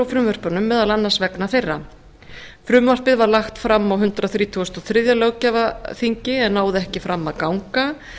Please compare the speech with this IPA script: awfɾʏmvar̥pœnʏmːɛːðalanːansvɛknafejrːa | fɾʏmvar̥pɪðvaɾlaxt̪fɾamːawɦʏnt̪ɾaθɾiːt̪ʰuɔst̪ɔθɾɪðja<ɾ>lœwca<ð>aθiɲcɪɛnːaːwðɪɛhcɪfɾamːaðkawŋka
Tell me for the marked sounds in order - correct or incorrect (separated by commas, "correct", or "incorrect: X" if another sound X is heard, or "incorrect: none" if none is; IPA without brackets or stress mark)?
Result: incorrect: none, incorrect: v